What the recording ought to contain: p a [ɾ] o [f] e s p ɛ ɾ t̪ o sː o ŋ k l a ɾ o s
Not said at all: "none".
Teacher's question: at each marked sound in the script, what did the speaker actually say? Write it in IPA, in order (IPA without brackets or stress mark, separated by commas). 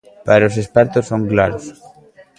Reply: ɾ, s